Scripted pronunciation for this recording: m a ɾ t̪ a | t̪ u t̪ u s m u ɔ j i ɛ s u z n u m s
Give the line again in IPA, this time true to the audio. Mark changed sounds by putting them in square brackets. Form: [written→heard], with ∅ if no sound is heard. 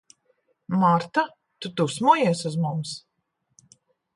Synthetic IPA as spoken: m a ɾ t̪ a | t̪ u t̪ u s m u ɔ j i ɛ s u z [n→m] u m s